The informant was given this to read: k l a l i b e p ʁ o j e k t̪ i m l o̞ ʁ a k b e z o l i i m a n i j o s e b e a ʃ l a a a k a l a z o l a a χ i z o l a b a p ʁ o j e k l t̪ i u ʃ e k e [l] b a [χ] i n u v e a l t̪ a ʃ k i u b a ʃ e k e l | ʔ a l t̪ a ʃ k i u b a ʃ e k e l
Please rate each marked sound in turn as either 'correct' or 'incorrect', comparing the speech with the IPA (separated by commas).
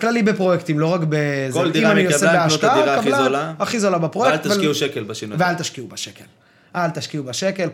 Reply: correct, incorrect